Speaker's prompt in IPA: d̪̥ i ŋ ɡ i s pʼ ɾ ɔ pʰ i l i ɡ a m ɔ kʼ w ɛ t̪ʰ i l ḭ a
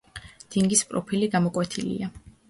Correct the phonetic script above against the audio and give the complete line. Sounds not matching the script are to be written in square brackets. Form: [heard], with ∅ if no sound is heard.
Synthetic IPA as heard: d̪̥ i ŋ ɡ i s pʼ ɾ ɔ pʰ i l i ɡ a m ɔ kʼ w ɛ t̪ʰ i l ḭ a